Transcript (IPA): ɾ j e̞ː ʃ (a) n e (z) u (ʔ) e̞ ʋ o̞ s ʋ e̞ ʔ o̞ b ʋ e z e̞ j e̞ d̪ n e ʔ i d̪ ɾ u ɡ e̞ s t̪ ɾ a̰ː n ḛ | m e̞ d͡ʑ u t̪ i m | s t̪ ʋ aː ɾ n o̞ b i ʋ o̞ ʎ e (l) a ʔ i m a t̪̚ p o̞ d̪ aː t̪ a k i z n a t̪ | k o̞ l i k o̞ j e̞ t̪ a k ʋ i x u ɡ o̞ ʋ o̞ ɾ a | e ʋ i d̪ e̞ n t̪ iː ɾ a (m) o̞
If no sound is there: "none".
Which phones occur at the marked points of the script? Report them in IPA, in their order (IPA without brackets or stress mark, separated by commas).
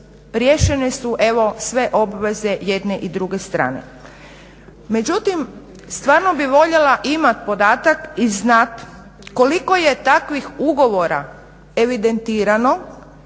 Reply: e, s, ʔ, l, n